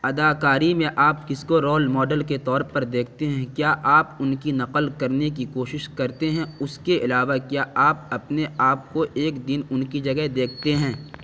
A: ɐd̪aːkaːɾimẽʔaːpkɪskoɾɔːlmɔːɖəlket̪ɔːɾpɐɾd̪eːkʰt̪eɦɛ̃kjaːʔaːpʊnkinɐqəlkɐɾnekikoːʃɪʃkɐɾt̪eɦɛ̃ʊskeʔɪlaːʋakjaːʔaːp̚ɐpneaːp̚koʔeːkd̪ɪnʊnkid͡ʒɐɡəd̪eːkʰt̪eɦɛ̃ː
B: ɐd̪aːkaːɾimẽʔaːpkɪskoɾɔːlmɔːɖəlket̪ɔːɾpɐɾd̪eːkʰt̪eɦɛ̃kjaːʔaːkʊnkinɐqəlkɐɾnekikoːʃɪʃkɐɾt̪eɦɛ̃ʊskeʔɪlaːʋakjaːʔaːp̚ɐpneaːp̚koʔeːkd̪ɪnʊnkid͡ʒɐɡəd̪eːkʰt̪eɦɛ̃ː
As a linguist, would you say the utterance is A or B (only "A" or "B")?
A